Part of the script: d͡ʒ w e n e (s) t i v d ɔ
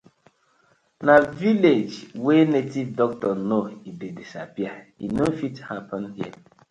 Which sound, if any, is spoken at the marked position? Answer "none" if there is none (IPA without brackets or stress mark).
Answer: none